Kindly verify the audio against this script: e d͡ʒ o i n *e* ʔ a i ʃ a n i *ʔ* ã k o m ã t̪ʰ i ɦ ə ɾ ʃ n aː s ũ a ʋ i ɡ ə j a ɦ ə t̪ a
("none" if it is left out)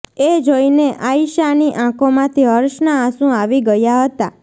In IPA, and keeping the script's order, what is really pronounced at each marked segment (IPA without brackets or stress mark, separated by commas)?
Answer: e, ʔ